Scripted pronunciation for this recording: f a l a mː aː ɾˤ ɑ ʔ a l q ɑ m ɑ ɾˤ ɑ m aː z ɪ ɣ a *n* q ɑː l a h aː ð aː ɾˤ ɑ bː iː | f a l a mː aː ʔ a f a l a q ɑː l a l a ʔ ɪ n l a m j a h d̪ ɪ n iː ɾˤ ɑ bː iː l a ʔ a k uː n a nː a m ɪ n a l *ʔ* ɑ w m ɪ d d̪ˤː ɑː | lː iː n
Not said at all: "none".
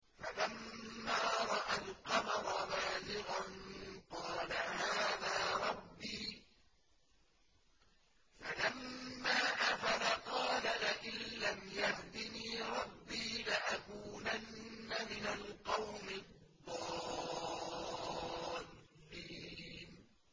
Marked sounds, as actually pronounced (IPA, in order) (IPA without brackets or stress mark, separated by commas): n, q